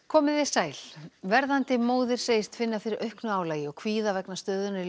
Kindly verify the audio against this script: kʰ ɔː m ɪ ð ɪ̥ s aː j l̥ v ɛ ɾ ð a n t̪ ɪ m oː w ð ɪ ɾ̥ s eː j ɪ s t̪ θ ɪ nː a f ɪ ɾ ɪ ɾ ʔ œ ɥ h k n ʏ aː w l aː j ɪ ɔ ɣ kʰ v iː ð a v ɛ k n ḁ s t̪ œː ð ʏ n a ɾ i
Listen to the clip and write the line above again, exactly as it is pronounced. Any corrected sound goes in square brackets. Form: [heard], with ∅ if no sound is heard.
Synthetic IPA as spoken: kʰ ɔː m ɪ ð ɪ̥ s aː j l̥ v ɛ ɾ ð a n t̪ ɪ m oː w ð ɪ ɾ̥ s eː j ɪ s t̪ [f] ɪ nː a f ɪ ɾ ɪ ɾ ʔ œ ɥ h k n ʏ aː w l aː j ɪ ɔ ɣ kʰ v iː ð a v ɛ k n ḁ s t̪ œː ð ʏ n a ɾ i